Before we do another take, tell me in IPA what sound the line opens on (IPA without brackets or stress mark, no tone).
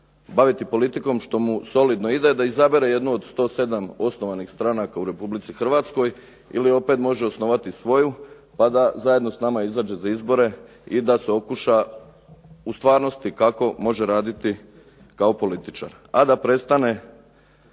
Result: b